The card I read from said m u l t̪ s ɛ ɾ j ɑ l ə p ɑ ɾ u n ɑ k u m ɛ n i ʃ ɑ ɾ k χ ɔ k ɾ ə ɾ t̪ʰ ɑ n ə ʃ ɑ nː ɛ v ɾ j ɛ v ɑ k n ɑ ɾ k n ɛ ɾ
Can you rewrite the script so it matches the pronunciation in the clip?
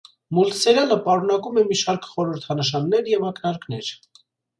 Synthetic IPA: m u l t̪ s ɛ ɾ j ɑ l ə p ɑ ɾ u n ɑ k u m ɛ m i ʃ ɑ ɾ k χ ɔ ɾ ə ɾ t̪ʰ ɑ n ə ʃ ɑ nː ɛ ɾ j ɛ v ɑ k n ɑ ɾ k n ɛ ɾ

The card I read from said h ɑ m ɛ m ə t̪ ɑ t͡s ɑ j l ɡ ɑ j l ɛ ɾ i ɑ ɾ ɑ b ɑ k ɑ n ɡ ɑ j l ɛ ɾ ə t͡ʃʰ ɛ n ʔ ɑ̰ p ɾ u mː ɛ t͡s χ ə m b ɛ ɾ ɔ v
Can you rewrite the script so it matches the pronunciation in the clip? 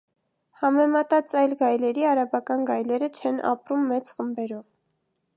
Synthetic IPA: h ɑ m ɛ m ɑ t̪ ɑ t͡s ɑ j l ɡ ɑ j l ɛ ɾ i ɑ ɾ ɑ b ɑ k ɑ n ɡ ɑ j l ɛ ɾ ə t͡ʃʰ ɛ n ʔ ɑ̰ p ɾ u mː ɛ t͡s χ ə m b ɛ ɾ ɔ v

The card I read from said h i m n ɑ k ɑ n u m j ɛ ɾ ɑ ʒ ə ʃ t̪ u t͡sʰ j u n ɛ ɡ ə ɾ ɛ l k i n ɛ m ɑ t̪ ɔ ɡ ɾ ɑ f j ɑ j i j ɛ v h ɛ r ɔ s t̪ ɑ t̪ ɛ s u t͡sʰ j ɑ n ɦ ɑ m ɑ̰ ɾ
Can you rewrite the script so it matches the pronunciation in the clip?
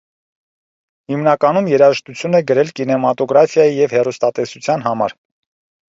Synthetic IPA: h i m n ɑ k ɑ n u m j ɛ ɾ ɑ ʒ ə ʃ t̪ u t͡sʰ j u n ɛ ɡ ə ɾ ɛ l k i n ɛ m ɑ t̪ ɔ ɡ ɾ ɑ f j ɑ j i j ɛ v h ɛ r u s t̪ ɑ t̪ ɛ s u t͡sʰ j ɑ n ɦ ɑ m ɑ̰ ɾ

